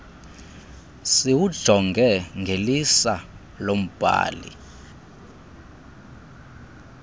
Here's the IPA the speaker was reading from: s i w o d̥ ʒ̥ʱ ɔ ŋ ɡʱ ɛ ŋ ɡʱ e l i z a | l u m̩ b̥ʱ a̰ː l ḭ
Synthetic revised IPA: s i w u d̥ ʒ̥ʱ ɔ ŋ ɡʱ ɛ ŋ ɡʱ e l i s a | l o m̩ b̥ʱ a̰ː l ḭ